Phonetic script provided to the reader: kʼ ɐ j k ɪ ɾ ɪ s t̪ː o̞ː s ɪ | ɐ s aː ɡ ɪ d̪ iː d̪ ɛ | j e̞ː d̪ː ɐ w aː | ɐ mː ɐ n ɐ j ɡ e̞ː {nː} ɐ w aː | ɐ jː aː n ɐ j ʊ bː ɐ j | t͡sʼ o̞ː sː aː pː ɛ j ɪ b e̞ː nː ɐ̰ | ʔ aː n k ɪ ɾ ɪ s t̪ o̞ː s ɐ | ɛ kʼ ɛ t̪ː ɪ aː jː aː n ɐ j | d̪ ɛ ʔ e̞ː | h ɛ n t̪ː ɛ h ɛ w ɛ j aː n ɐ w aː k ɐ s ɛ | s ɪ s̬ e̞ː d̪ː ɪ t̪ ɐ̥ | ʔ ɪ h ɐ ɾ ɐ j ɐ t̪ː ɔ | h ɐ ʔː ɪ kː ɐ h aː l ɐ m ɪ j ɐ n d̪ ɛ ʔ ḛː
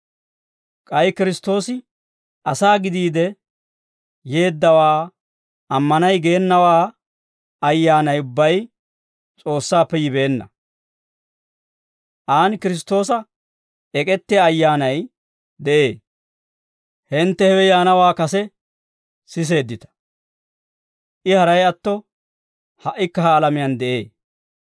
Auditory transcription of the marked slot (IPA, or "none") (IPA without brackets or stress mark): nː